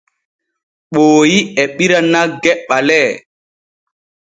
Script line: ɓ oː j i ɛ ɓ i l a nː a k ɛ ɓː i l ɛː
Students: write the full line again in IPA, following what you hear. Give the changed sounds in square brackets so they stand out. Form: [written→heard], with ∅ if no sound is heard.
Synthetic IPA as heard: ɓ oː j i ɛ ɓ i [l→ɾ] a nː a [k→ɡ] ɛ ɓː [i→a] l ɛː